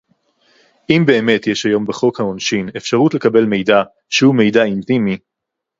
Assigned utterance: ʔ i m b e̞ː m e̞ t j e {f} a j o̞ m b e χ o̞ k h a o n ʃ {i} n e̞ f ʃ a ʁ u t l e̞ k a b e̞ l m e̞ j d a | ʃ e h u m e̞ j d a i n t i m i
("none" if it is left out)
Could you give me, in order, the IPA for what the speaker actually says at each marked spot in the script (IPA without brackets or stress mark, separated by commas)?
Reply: ʃ, i